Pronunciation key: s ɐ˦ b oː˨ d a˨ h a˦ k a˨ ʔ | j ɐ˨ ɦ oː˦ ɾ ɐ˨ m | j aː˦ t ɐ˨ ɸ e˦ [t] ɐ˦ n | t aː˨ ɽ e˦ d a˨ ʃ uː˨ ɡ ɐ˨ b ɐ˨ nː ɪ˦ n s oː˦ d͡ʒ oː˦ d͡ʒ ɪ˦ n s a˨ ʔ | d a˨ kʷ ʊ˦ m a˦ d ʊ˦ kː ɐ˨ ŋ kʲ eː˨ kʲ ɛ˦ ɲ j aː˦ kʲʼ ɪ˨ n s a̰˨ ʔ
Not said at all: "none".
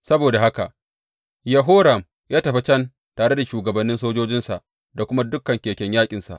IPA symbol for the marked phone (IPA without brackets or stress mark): t͡ʃ